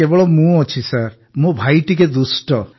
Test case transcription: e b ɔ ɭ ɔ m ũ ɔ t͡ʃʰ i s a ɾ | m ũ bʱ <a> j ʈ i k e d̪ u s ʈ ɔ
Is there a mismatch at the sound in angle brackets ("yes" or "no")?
no